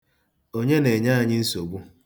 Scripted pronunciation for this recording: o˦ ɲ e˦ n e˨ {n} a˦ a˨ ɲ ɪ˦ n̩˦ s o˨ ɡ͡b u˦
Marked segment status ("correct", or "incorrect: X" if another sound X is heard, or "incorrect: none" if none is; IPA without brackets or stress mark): incorrect: ɲ